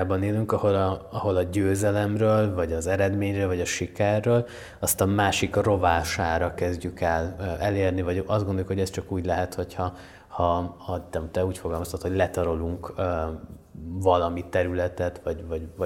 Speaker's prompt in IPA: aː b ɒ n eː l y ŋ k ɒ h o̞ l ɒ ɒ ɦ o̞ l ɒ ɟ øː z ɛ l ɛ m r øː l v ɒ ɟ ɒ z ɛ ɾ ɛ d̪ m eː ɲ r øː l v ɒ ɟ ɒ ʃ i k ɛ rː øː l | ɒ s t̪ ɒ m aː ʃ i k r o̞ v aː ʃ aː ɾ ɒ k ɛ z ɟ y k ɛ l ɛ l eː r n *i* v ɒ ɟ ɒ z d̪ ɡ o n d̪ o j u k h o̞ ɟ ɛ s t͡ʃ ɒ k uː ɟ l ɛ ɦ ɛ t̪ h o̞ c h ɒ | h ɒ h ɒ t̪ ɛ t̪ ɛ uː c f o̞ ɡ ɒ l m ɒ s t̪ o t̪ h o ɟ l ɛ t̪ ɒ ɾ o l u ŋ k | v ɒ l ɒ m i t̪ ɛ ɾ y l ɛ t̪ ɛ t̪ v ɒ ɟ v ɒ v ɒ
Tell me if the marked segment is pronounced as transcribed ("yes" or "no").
yes